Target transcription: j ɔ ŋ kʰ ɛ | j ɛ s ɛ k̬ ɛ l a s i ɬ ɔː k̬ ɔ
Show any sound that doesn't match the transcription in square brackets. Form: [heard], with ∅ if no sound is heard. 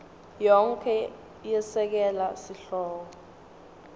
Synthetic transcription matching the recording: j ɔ ŋ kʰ ɛ | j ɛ s ɛ k̬ ɛ l a s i ɬ ɔː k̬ ɔ